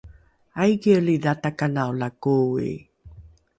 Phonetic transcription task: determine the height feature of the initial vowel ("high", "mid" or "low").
low